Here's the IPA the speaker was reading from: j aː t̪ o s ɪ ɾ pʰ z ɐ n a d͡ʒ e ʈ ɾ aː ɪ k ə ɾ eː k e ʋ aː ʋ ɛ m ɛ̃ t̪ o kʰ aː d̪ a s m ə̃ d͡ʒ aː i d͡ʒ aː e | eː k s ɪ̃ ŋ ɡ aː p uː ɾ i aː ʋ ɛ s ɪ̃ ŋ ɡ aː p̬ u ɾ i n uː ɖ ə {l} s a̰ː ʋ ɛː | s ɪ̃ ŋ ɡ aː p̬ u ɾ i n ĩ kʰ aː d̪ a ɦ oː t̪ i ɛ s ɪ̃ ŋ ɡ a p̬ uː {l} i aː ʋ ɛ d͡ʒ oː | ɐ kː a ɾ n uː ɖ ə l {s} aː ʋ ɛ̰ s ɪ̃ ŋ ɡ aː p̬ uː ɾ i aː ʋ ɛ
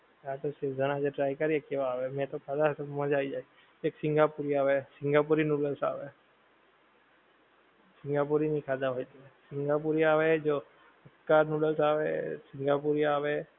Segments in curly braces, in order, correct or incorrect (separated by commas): correct, incorrect, correct